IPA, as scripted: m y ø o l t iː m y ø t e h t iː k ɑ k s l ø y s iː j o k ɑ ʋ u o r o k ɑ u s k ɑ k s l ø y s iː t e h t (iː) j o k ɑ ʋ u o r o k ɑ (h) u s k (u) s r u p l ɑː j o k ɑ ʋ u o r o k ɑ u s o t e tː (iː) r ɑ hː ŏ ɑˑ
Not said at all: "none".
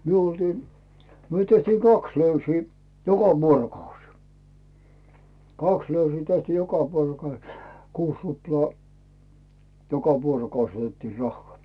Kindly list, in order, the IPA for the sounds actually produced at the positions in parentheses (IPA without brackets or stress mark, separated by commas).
iː, none, uː, iː